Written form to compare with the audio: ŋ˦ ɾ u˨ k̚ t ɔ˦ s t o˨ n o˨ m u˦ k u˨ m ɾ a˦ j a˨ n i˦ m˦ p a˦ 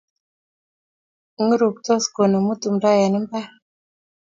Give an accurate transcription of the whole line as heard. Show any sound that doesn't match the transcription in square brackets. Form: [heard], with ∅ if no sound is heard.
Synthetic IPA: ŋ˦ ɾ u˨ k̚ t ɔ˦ s [k] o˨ n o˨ m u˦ [t] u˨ m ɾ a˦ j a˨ n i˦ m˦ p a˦